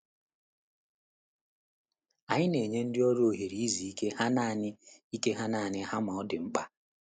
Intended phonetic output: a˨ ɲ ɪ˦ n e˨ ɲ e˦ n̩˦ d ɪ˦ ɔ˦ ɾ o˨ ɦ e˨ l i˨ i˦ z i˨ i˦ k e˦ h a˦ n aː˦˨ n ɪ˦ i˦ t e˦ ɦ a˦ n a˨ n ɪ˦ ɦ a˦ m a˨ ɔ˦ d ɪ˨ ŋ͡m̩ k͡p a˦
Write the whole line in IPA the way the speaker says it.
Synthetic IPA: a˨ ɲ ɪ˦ n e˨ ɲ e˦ n̩˦ d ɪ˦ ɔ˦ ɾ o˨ ɦ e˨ ɾ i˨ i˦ z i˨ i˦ k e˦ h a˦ n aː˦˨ n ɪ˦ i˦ k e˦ ɦ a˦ n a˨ n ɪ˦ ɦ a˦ m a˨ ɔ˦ d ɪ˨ ŋ͡m̩ k͡p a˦

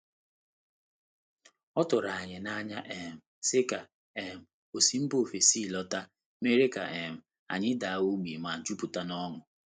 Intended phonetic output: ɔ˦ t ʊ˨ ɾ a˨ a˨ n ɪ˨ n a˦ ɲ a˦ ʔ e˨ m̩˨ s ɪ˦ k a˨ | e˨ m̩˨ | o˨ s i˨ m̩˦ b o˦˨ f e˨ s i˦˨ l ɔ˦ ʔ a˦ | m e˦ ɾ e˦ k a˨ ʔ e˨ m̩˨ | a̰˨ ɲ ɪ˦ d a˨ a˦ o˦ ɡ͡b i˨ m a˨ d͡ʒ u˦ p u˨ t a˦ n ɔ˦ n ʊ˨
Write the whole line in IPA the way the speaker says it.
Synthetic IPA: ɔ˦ t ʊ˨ ɾ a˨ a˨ ɲ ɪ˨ n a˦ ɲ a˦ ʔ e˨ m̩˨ s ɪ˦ k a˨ | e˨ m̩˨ | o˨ s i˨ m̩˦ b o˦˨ f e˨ s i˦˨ l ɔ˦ t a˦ | m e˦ ɾ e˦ k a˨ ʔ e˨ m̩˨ | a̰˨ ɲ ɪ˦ d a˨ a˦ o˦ ɡ͡b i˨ m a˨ d͡ʒ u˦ p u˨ t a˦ n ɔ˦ ŋ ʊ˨

